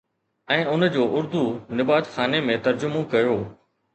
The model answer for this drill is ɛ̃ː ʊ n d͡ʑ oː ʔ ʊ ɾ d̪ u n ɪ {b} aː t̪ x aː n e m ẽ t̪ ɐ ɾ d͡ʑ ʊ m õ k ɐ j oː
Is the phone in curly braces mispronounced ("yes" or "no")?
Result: no